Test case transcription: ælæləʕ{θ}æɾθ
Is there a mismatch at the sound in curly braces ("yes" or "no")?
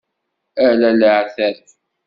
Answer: no